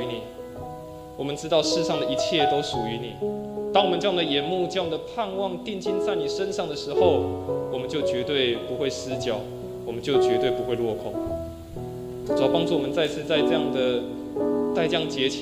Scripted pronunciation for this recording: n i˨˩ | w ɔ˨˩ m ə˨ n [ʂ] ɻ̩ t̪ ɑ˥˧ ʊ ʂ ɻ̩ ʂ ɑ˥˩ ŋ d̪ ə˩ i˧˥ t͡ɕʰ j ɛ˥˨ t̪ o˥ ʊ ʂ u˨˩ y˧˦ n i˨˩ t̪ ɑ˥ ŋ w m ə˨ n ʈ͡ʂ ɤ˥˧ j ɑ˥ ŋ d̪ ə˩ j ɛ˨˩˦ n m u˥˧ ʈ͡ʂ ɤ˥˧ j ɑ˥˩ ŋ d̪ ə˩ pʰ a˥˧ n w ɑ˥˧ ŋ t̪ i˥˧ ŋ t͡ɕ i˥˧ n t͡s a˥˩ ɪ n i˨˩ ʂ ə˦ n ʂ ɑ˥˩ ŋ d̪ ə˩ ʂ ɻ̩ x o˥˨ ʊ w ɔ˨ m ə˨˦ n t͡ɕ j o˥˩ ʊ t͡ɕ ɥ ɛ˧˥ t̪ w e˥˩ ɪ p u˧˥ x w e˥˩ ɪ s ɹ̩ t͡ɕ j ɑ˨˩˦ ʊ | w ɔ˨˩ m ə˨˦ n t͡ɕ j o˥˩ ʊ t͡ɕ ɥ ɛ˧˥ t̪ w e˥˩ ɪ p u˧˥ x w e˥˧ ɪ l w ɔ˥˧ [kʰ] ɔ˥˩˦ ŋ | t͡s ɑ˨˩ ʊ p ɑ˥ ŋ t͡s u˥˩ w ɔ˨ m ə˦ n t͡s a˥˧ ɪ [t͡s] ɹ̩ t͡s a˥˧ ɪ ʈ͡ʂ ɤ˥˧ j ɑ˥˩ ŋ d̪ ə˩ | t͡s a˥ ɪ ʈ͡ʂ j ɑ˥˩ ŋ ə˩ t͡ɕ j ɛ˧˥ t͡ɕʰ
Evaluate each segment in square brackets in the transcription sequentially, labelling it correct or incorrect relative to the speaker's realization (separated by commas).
incorrect, correct, incorrect